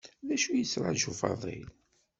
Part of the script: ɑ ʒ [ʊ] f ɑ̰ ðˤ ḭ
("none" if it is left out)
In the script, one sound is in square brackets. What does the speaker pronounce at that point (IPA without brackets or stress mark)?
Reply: u